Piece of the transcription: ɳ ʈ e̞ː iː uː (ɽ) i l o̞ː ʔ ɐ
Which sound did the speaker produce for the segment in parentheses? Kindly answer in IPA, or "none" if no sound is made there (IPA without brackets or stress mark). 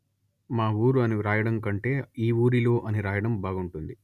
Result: ɾ